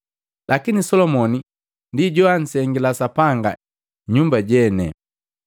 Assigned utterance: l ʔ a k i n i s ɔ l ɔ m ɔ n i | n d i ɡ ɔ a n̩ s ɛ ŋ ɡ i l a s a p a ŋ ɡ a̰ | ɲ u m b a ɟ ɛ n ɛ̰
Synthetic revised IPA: l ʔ a k i n i s ɔ l ɔ m ɔ n i | n d i ɟ ɔ a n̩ s ɛ ŋ ɡ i l a s a p a ŋ ɡ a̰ | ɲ u m b a ɟ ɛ n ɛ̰